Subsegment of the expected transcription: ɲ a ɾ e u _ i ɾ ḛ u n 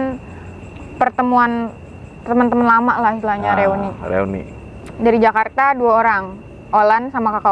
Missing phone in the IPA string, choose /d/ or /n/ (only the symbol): n